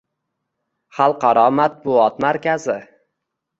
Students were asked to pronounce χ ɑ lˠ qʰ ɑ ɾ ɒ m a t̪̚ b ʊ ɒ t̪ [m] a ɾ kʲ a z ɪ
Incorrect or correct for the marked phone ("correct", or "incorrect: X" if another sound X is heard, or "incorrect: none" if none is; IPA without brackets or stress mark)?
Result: correct